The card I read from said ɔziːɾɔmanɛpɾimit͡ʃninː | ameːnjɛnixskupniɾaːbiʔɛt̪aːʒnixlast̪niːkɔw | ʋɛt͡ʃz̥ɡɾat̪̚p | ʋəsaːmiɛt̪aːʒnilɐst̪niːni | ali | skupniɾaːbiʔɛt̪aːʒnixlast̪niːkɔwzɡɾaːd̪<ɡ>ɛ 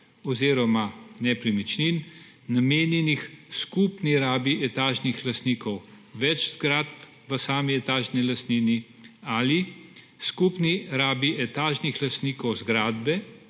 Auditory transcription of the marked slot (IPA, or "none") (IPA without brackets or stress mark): b